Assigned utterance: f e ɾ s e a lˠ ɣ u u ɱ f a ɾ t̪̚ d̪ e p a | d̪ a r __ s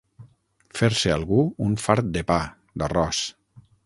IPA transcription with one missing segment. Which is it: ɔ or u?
ɔ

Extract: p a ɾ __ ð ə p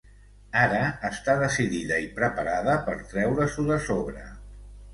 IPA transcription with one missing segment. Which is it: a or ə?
a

